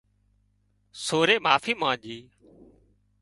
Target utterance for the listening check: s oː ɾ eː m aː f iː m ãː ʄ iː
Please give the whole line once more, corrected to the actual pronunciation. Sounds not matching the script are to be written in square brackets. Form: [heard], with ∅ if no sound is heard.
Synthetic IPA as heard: s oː ɾ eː m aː f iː m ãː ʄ iː